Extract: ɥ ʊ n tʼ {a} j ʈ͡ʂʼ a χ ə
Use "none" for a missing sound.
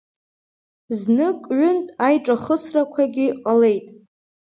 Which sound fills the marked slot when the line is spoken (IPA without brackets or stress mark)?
a